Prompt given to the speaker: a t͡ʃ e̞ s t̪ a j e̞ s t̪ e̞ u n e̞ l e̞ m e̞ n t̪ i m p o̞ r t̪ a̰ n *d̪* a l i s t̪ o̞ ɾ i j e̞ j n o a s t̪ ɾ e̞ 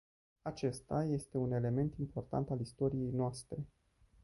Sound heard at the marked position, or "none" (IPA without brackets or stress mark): t̪